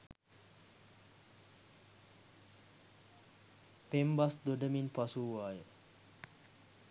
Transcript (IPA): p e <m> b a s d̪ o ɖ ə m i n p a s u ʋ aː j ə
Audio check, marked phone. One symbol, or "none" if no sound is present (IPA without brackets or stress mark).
m